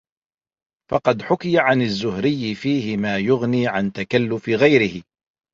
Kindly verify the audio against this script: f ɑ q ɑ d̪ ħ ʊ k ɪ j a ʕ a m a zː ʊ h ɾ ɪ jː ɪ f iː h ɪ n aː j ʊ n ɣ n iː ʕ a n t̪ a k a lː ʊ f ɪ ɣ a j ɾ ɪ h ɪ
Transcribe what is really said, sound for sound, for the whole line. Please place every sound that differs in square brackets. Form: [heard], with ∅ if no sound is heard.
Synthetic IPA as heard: f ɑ q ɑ d̪ ħ ʊ k ɪ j a ʕ a [n] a zː ʊ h ɾ ɪ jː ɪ f iː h ɪ [m] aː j ʊ [∅] ɣ n iː ʕ a n t̪ a k a lː ʊ f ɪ ɣ a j ɾ ɪ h ɪ